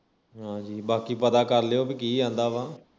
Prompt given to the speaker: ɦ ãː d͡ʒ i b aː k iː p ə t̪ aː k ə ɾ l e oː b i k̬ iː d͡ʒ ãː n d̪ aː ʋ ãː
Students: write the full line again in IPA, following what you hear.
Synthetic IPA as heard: ɦ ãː d͡ʒ iː b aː k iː p ə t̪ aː k ə ɾ l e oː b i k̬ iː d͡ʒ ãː n d̪ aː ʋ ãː